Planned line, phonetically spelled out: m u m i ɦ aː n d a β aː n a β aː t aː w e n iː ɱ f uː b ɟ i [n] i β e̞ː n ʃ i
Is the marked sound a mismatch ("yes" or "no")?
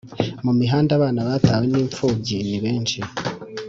no